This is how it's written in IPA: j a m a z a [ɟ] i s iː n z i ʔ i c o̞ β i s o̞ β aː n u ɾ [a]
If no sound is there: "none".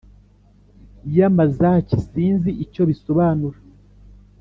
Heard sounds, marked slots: c, a

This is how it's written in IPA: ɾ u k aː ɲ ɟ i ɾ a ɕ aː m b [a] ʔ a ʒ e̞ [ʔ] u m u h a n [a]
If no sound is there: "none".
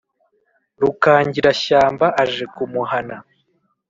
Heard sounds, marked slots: a, k, a

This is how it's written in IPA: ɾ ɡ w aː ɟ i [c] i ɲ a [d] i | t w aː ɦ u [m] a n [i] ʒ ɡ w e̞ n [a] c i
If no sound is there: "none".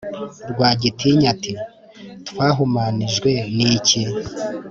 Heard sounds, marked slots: t, t, m, i, i

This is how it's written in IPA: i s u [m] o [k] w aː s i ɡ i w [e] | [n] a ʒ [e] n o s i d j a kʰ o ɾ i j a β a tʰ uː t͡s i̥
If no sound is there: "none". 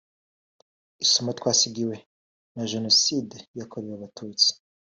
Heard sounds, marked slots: m, t, e, n, e

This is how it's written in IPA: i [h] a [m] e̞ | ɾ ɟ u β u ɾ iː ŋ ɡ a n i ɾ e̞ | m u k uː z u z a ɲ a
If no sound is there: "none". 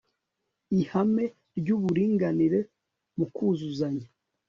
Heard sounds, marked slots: h, m

